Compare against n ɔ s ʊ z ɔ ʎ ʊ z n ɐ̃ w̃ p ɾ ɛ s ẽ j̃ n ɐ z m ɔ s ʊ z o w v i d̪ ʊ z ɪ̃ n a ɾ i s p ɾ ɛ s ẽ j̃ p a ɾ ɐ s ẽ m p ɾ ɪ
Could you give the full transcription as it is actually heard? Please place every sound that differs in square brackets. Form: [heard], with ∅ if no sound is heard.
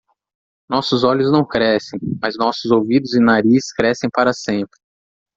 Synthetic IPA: n ɔ s ʊ z ɔ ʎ ʊ z n ɐ̃ w̃ [k] ɾ ɛ s ẽ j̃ [m] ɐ z [n] ɔ s ʊ z o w v i d̪ ʊ z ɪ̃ n a ɾ i s [k] ɾ ɛ s ẽ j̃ p a ɾ ɐ s ẽ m p ɾ ɪ

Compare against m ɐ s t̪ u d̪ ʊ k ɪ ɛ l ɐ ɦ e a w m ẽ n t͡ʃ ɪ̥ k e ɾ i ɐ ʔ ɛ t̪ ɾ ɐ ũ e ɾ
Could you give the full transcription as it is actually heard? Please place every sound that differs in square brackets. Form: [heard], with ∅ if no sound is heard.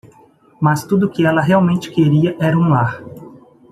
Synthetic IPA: m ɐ s t̪ u d̪ ʊ k ɪ ɛ l ɐ ɦ e a w m ẽ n t͡ʃ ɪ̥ k e ɾ i ɐ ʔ ɛ [∅] ɾ ɐ ũ [a] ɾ

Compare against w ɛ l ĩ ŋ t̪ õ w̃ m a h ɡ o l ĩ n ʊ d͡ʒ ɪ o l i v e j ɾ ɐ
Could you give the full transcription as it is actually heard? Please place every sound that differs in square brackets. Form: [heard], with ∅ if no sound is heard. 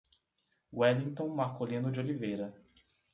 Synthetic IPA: w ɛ l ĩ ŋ t̪ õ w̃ m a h [k] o l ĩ n ʊ d͡ʒ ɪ o l i v e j ɾ ɐ

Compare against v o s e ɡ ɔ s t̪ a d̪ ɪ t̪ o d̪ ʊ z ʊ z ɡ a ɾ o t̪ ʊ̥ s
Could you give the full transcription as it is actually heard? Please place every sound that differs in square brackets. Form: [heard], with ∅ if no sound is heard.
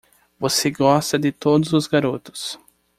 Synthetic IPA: v o s e ɡ ɔ s t̪ [ɐ] d̪ ɪ t̪ o d̪ ʊ z ʊ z ɡ a ɾ o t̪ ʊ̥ s

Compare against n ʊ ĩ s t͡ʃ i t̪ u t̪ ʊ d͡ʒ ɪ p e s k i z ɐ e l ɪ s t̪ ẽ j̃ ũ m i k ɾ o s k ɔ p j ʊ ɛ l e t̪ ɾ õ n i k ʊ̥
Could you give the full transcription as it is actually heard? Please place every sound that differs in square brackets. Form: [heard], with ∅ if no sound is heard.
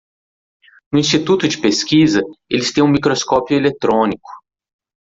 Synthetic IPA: n ʊ ĩ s t͡ʃ i t̪ u t̪ ʊ d͡ʒ ɪ p e s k i z ɐ e l ɪ s t̪ ẽ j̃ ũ m i k ɾ o s k ɔ p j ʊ [e] l e t̪ ɾ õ n i k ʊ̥

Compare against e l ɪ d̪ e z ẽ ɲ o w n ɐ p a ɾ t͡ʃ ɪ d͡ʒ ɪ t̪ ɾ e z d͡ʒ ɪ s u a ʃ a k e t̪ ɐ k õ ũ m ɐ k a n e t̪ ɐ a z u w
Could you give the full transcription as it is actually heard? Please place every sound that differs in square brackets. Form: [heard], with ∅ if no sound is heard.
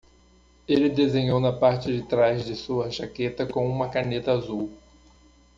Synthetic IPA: e l ɪ d̪ e z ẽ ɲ o w n ɐ p a ɾ t͡ʃ ɪ d͡ʒ ɪ t̪ ɾ [a] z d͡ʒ ɪ s u [ɐ] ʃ a k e t̪ ɐ k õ ũ m ɐ k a n e t̪ ɐ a z u w

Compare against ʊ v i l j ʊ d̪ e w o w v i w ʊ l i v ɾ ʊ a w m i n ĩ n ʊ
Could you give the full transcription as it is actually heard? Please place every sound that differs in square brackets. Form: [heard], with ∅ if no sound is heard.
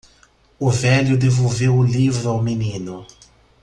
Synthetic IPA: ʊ v [ɛ] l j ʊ d̪ e [v] o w v [e] w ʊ l i v ɾ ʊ a w m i n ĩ n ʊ

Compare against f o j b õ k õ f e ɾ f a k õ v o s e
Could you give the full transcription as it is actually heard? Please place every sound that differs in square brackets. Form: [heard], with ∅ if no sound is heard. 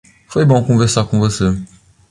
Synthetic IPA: f o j b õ k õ [v] e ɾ [s] a k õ v o s e

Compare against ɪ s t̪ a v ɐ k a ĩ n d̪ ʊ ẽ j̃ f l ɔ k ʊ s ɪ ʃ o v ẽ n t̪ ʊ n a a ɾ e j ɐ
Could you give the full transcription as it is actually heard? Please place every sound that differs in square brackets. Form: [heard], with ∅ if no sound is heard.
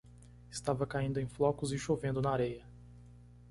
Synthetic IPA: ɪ s t̪ a v ɐ k a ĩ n d̪ ʊ ẽ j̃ f l ɔ k ʊ [z] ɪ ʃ o v ẽ n [d̪] ʊ n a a ɾ e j ɐ

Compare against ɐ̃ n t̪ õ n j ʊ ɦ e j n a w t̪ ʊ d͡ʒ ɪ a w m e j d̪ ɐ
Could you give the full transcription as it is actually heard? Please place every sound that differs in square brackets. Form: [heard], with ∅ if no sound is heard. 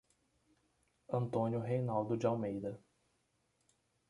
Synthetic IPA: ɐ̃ n t̪ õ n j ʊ ɦ e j n a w [d̪] ʊ d͡ʒ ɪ a w m e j d̪ ɐ

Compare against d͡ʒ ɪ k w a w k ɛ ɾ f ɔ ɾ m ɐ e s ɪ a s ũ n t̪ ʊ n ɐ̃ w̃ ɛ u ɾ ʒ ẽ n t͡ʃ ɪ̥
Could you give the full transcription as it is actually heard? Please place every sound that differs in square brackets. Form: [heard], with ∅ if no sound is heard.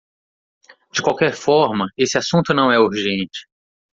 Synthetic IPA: d͡ʒ ɪ k w a w k ɛ ɾ f ɔ ɾ m ɐ e s ɪ a s ũ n t̪ ʊ n ɐ̃ w̃ ɛ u ɾ ʒ ẽ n t͡ʃ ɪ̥

